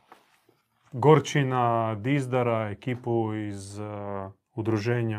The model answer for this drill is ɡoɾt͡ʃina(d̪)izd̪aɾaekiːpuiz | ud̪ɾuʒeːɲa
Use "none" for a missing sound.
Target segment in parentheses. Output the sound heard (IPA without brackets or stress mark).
d̪